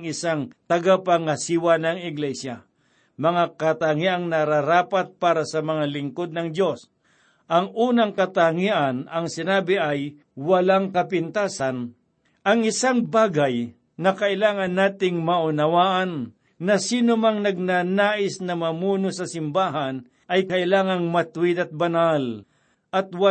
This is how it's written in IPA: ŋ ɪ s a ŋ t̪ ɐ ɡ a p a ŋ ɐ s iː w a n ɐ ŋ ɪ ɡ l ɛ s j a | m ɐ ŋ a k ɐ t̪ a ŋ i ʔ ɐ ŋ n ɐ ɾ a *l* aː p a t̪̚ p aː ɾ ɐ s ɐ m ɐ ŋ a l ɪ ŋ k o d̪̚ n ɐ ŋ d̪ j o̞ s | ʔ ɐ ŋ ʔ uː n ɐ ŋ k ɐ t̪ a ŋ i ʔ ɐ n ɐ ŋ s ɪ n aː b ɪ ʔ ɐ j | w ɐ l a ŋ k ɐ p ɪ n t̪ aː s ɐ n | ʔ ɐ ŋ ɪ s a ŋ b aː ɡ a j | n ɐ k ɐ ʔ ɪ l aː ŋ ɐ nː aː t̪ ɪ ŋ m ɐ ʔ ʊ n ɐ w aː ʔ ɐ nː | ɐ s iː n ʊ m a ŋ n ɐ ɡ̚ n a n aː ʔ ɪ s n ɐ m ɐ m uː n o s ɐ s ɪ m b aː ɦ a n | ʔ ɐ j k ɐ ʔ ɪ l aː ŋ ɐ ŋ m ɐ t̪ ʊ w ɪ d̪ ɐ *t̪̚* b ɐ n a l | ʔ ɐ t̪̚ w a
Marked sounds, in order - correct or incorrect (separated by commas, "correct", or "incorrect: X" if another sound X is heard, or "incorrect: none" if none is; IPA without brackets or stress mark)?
incorrect: ɾ, correct